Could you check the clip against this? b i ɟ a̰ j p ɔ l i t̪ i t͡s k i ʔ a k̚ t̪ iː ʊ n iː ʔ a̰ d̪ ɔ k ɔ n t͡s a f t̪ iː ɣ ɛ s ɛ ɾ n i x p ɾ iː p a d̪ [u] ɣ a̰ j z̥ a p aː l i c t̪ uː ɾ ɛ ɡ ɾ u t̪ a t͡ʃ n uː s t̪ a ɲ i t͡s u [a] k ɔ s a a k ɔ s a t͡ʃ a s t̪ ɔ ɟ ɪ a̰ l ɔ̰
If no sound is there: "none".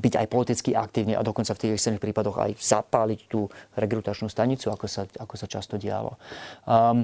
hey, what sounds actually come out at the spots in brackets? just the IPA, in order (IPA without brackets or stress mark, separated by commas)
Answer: ɔ, a